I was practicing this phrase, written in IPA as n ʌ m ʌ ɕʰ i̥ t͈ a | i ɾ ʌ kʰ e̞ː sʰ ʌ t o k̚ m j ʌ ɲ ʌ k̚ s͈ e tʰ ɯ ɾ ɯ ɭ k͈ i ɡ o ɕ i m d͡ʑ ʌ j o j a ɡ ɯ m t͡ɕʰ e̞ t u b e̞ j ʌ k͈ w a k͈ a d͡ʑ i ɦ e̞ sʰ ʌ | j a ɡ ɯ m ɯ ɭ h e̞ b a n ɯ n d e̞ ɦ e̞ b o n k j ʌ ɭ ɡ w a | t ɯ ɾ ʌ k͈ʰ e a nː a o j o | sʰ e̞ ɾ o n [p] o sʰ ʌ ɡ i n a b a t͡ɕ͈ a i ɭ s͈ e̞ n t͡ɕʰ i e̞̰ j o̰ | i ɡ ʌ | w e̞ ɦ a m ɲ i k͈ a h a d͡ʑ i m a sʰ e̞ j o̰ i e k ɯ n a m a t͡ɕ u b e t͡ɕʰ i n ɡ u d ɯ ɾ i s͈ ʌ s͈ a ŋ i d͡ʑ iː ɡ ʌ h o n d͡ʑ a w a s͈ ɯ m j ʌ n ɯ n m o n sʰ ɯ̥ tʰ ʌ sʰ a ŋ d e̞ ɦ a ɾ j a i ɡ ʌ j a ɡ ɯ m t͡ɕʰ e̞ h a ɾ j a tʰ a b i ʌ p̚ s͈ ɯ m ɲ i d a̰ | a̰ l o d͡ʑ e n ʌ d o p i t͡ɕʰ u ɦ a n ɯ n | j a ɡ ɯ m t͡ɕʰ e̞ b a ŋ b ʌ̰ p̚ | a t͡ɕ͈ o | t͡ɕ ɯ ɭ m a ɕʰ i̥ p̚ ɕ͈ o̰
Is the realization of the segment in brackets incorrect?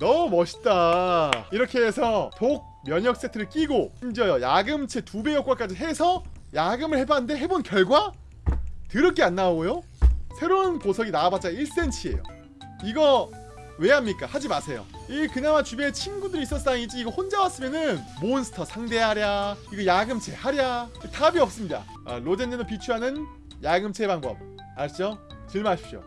no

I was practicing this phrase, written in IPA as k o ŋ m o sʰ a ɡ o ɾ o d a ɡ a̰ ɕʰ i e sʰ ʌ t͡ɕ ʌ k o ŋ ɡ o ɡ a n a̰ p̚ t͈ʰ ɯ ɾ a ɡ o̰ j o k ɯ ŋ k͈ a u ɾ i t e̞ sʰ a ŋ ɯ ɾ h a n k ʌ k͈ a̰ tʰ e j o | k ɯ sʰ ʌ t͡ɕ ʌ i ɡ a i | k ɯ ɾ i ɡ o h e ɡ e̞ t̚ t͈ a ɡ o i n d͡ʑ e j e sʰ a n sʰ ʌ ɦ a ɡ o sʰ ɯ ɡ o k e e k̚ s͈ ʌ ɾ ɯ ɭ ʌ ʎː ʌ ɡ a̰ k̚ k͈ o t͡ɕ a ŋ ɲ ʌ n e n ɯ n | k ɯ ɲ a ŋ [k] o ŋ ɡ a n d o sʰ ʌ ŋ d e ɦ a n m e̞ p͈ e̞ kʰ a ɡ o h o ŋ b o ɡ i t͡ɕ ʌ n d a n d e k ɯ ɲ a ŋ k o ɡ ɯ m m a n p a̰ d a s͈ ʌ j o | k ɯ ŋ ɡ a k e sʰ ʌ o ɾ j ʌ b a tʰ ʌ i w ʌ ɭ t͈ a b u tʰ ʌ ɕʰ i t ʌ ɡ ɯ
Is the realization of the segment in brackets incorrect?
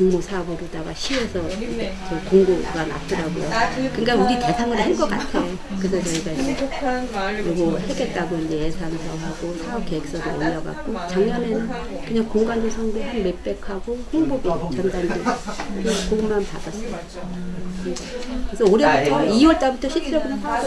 no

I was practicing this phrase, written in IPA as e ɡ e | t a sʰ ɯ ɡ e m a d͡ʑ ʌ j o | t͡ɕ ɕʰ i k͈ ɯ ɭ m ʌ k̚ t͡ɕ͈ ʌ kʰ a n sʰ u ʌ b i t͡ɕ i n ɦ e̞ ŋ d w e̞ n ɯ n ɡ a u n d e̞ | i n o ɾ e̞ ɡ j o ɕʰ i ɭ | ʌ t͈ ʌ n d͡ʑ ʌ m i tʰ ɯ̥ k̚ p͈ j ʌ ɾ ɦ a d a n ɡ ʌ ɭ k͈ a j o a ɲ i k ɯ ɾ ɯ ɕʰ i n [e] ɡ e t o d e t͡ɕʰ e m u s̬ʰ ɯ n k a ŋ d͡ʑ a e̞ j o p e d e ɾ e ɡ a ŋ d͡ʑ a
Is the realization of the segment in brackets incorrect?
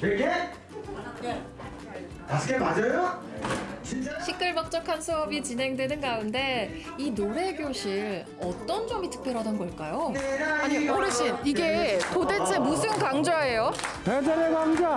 yes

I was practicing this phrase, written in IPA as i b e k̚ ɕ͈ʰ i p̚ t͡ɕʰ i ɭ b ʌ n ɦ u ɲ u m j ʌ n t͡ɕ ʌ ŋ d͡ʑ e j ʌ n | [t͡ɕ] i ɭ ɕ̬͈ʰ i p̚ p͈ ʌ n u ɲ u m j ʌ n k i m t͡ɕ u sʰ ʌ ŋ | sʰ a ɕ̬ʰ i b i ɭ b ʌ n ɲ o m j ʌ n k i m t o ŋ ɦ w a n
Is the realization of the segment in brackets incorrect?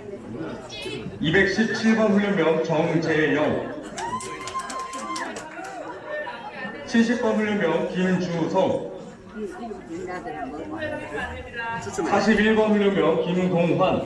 yes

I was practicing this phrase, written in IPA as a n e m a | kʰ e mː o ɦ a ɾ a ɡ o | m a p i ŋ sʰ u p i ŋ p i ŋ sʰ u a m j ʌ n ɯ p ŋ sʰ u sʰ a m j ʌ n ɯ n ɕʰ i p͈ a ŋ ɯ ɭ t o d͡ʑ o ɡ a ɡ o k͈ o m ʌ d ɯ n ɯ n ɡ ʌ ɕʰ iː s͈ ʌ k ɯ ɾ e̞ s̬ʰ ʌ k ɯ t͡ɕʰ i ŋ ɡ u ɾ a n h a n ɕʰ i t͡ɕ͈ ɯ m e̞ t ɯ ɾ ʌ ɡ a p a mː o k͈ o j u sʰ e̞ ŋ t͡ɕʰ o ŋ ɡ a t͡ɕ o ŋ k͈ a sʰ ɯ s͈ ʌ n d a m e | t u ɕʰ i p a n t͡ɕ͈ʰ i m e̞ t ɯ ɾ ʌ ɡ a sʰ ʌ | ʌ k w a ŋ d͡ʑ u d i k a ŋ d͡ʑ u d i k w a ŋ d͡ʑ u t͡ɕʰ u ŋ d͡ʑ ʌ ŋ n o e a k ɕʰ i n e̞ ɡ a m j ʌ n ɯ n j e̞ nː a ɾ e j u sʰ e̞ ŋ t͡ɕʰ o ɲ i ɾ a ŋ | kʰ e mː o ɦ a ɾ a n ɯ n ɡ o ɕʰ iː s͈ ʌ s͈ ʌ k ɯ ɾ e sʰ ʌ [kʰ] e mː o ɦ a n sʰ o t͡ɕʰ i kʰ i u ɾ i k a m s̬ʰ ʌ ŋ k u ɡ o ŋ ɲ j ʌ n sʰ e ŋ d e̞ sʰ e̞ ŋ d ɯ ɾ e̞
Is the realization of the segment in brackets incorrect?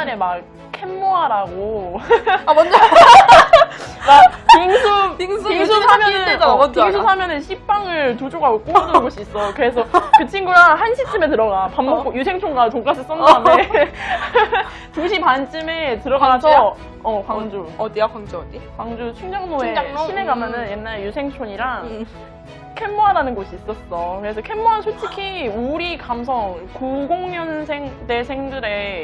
no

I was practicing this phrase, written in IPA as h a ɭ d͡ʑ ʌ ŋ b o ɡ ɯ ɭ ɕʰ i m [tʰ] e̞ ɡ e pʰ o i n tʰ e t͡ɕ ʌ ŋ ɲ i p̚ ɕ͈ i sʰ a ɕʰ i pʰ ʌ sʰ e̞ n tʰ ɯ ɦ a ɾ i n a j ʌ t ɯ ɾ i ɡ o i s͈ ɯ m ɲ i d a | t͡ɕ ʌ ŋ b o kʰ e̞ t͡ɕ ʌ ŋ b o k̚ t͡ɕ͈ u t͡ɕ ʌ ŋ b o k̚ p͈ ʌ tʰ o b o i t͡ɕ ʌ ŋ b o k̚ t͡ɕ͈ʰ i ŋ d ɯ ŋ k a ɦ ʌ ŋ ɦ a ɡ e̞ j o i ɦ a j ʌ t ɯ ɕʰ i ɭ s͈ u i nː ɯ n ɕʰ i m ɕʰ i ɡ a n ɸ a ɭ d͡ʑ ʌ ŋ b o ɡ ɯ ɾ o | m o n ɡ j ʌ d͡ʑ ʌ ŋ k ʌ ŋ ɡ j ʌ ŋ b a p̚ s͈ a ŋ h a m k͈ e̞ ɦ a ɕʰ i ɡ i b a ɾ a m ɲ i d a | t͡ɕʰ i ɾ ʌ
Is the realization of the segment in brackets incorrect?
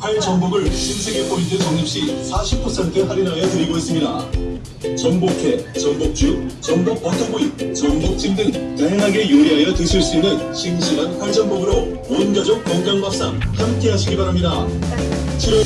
yes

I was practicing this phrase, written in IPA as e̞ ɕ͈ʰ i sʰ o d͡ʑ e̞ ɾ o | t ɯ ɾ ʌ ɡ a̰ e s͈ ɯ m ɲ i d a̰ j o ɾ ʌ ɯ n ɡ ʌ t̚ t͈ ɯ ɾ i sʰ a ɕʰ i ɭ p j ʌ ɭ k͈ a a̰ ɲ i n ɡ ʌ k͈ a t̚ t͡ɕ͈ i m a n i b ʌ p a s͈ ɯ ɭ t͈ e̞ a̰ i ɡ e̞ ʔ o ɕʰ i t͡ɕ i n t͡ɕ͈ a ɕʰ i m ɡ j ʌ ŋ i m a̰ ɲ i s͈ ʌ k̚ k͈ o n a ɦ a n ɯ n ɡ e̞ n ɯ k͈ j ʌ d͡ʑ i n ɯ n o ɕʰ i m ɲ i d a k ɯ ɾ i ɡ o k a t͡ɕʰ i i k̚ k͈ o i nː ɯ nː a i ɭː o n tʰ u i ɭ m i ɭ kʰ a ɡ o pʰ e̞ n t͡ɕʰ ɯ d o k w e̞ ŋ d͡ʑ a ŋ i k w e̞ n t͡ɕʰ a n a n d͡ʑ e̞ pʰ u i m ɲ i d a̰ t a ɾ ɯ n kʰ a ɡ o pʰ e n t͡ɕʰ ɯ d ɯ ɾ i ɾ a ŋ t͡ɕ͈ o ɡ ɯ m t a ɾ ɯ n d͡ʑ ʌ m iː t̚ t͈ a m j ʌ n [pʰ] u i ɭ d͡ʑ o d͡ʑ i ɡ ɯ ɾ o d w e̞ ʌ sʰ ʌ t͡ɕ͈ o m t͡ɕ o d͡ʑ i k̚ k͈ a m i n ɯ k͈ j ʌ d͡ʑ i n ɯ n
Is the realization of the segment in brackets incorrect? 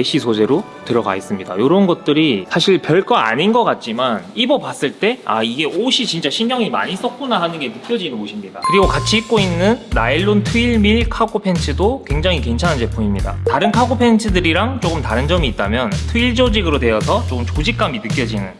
yes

